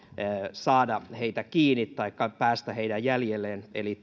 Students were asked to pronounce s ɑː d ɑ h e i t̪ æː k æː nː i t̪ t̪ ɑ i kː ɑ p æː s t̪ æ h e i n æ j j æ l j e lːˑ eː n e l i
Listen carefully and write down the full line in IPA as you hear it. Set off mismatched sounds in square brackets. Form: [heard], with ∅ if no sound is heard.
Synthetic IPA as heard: s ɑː d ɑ h e i t̪ [æ] k [iː] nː i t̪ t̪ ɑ i kː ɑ p æː s t̪ æ h e i [d] æ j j æ l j e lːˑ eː n e l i

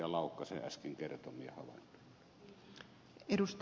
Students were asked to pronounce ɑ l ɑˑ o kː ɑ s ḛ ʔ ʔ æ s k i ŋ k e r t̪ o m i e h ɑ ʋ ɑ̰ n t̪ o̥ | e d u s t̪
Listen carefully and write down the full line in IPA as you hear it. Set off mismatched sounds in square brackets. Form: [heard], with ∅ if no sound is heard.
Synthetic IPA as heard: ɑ l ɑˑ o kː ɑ s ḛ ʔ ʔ æ s k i ŋ k e r t̪ o m i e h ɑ ʋ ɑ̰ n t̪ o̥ | e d u s t̪

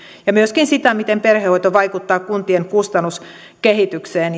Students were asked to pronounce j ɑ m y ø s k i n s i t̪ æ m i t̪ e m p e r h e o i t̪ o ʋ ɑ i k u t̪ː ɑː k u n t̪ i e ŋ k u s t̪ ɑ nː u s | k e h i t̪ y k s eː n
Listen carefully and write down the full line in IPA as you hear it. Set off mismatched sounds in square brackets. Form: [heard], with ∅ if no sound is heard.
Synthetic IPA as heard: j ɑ m y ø s k i n s i t̪ æ m i t̪ e m p e r h e o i t̪ o ʋ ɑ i k u t̪ː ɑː k u n t̪ i e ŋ k u s t̪ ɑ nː u s | k e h i t̪ y k s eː n

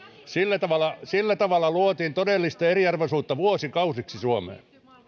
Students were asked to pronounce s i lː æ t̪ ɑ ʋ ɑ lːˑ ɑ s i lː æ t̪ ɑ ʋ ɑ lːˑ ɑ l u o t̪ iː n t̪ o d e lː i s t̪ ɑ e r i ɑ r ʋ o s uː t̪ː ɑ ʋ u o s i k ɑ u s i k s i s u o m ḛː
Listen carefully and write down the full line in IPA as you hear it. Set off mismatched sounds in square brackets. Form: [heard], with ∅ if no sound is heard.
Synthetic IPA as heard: s i lː æ t̪ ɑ ʋ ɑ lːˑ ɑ s i lː æ t̪ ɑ ʋ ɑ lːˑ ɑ l u o t̪ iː n t̪ o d e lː i s t̪ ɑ e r i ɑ r ʋ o s uː t̪ː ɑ ʋ u o s i k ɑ u s i k s i s u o m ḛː

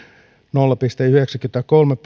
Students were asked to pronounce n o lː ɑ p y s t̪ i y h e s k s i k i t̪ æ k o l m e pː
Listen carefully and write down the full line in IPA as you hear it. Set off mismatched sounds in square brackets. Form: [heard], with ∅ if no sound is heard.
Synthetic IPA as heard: n o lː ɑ p [i] s t̪ [e] y h e [∅] k s [æ] k [y] t̪ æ k o l m e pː

